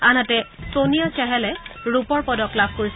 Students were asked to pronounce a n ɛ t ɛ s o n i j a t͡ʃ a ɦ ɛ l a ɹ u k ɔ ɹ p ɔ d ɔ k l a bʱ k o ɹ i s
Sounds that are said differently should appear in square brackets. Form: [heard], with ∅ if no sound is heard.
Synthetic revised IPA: a n [a] t ɛ s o n i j a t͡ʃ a ɦ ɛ l [ɛ] ɹ u [p] ɔ ɹ p ɔ d ɔ k l a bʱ k o ɹ i s